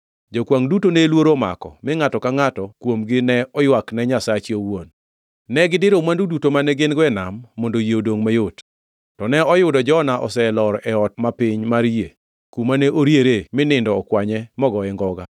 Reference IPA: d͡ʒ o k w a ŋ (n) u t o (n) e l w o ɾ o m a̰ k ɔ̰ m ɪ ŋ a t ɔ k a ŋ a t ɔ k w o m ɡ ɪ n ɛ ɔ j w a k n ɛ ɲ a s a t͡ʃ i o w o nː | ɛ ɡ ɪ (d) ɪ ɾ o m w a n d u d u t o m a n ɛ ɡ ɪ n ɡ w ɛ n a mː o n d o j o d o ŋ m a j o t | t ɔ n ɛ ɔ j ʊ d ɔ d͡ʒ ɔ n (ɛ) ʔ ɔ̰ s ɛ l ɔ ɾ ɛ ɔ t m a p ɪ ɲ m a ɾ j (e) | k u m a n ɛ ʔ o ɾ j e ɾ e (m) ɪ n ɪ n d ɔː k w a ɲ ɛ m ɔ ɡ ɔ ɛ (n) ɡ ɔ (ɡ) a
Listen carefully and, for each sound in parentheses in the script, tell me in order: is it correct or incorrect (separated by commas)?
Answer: incorrect, correct, correct, incorrect, correct, correct, incorrect, correct